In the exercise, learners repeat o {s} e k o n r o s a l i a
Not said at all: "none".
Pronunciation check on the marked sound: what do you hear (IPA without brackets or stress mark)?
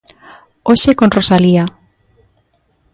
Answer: ʃ